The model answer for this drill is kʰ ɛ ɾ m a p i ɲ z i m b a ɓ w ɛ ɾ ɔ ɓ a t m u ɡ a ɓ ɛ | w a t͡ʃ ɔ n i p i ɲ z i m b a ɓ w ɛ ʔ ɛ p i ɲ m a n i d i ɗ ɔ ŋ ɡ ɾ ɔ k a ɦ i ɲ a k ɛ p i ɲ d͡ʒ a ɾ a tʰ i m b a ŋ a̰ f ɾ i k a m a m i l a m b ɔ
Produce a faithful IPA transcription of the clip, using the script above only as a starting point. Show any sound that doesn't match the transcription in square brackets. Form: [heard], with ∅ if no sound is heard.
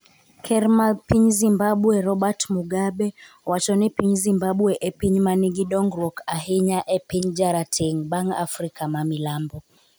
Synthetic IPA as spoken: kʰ ɛ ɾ m a p i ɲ z i m b a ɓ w ɛ ɾ ɔ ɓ a t m u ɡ a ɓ ɛ | w a t͡ʃ ɔ n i p i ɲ z i m b a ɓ w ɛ ʔ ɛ p i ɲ m a n i [ɡ] i ɗ ɔ ŋ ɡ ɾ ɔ k a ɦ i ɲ a [ʔ] ɛ p i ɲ d͡ʒ a ɾ a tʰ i [ŋ] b a ŋ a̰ f ɾ i k a m a m i l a m b ɔ